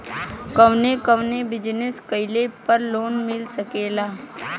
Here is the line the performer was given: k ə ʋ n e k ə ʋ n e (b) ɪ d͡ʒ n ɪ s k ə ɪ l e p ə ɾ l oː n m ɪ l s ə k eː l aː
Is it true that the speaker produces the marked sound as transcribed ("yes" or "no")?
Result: yes